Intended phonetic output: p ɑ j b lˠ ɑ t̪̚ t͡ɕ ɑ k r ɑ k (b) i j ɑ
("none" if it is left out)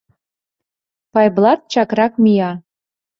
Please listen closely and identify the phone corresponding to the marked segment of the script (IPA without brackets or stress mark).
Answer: m